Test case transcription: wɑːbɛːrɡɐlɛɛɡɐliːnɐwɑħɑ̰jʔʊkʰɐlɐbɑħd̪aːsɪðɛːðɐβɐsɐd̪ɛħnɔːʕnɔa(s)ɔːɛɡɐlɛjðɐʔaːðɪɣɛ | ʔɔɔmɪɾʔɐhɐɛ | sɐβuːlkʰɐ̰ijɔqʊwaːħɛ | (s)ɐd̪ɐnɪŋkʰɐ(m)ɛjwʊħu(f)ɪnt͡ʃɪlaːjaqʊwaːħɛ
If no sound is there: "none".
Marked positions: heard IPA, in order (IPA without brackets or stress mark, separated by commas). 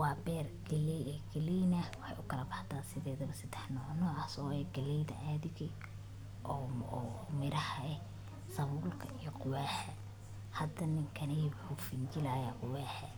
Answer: s, h, n, f